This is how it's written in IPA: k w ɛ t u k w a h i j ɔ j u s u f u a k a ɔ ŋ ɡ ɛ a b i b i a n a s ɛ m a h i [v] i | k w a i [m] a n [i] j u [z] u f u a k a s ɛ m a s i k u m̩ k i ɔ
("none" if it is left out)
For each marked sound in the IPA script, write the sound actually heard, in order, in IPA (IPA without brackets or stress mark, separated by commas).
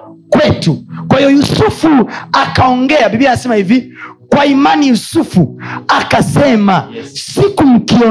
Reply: v, m, i, s